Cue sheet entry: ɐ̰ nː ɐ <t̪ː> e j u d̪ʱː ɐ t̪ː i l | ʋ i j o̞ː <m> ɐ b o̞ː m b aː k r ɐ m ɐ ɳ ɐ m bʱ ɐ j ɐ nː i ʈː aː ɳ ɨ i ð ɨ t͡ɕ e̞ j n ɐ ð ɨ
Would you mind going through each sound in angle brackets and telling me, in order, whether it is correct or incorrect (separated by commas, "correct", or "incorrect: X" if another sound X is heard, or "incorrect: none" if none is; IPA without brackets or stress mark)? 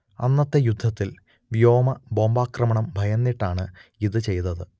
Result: correct, correct